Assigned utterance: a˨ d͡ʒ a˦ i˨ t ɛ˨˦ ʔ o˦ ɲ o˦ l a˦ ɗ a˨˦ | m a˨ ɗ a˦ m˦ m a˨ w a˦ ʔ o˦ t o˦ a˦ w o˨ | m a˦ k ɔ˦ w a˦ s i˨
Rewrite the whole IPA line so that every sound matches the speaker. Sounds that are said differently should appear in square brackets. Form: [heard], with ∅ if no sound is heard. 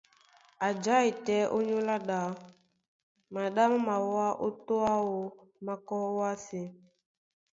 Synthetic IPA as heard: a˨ d͡ʒ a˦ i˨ t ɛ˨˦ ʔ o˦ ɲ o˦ l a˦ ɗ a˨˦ | m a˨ ɗ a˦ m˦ m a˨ w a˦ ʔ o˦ t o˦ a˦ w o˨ | m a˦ k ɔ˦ w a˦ s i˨